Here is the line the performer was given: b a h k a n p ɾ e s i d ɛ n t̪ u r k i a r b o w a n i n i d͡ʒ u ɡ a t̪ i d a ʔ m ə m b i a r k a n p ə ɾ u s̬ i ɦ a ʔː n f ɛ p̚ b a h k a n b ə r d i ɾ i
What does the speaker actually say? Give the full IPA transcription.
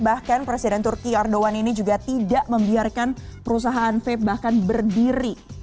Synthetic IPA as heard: b a h k a n p ɾ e s i d ɛ n t̪ u r k i a r d o w a n i n i d͡ʒ u ɡ a t̪ i d a ʔ m ə m b i a r k a n p ə ɾ u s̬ a ɦ a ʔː n f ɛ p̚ b a h k a n b ə r d i ɾ i